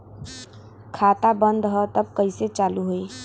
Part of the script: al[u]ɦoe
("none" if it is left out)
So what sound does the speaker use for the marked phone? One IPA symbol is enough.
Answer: u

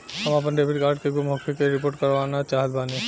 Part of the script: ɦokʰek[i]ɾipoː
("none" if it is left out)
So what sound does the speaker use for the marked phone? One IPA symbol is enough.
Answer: e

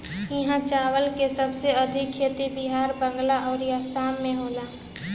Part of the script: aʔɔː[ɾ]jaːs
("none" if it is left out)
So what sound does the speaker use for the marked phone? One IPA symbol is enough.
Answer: ɾ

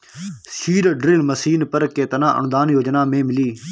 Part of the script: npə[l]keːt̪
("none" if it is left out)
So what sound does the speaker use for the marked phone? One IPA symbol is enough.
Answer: ɾ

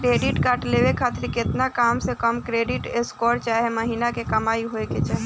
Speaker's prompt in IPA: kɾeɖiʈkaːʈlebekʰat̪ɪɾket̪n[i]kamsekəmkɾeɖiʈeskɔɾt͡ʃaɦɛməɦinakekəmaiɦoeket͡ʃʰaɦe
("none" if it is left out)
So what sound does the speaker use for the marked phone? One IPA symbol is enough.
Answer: a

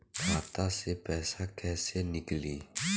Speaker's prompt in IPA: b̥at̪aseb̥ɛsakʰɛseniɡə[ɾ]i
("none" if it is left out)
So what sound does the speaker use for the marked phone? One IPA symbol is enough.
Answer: l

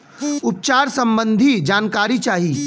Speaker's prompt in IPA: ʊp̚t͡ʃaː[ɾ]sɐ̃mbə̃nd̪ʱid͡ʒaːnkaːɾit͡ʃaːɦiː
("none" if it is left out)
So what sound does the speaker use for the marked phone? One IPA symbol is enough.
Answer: ɾ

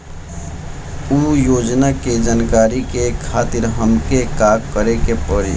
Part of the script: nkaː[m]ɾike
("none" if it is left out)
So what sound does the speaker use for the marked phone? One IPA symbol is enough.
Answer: none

